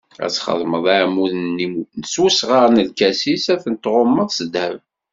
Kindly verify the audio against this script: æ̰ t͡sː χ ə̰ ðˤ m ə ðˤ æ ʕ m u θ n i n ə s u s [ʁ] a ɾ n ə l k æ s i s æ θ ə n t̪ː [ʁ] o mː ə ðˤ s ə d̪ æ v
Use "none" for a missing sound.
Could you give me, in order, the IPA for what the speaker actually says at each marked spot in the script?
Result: ʁ, ʁ

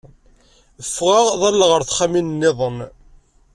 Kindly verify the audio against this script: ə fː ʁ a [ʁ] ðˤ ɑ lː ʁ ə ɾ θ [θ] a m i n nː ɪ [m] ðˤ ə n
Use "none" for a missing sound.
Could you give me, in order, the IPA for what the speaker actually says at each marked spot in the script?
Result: ʁ, χ, none

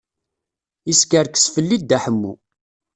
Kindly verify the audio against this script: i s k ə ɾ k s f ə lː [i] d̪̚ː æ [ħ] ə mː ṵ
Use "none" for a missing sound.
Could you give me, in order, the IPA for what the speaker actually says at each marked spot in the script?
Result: i, ħ

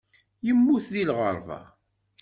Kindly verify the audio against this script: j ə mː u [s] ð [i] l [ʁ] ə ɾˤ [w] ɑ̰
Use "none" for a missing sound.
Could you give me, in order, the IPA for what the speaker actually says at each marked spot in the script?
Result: θ, i, ʁ, v

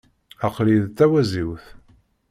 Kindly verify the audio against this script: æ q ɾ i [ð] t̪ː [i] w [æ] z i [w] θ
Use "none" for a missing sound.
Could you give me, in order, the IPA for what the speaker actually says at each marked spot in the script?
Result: ð, æ, æ, w

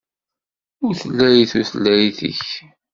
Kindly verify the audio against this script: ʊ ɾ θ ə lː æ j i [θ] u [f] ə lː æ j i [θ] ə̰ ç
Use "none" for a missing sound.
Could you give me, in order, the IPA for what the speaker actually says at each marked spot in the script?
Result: θ, θ, θ

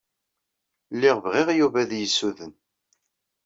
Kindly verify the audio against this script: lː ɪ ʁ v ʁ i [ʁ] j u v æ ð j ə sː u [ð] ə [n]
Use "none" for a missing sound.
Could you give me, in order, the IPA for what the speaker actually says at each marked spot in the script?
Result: ʁ, ð, n

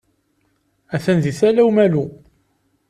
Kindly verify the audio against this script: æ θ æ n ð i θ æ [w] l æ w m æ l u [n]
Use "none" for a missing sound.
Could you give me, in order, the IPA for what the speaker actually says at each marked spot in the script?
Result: none, none

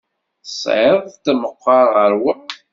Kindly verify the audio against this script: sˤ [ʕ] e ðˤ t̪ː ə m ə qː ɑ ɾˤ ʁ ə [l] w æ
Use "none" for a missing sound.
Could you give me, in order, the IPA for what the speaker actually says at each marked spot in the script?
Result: ʕ, ɾ

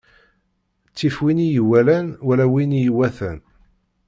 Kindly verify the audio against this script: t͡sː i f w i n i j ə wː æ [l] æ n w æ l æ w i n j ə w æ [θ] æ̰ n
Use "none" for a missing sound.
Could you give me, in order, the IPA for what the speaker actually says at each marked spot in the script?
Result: l, θ

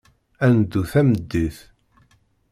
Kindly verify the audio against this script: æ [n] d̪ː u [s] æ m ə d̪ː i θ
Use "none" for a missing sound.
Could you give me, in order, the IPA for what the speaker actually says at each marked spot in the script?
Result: n, θ

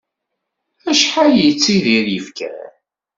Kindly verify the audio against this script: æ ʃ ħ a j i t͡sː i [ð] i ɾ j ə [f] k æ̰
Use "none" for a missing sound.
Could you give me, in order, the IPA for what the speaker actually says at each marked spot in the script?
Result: ð, f

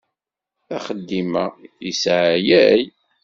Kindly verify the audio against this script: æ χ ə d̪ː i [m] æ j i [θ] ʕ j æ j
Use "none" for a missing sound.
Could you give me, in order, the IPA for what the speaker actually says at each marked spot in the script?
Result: m, s

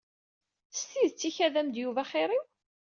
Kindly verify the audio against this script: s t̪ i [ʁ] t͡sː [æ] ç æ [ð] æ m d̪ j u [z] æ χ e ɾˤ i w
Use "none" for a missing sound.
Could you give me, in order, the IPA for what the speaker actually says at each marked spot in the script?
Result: ð, i, ð, v

